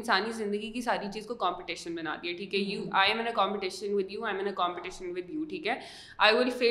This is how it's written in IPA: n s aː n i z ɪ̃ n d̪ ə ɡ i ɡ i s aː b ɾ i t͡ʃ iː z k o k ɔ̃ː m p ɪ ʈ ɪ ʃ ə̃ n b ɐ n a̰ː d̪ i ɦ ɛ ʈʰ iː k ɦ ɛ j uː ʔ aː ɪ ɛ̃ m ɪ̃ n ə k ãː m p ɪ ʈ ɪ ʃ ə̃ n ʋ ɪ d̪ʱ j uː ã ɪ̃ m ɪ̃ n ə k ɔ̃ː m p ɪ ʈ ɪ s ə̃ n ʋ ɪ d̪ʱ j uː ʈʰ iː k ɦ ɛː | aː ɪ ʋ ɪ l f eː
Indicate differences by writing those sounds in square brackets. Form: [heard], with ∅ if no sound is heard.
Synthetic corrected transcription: n s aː n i z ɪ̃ n d̪ ə ɡ i [k] i s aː [∅] ɾ i t͡ʃ iː z k o k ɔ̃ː m p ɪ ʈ ɪ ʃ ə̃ n b ɐ n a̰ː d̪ i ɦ ɛ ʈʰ iː k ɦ ɛ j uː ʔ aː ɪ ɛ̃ m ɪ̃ n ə k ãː m p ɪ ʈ ɪ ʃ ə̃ n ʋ ɪ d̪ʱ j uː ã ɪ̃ m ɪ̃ n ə k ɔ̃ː m p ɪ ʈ ɪ [ʃ] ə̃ n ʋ ɪ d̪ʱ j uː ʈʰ iː k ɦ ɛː | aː ɪ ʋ ɪ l f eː